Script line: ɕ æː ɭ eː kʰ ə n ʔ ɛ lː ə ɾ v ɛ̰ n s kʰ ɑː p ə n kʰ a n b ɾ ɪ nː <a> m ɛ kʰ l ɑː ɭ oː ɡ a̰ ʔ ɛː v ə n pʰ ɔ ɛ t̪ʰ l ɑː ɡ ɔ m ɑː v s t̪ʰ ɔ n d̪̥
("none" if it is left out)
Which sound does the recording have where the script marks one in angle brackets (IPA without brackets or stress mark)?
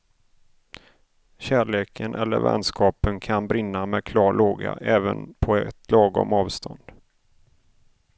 a